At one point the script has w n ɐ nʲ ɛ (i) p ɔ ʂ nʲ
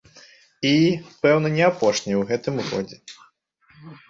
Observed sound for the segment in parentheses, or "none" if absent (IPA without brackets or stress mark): a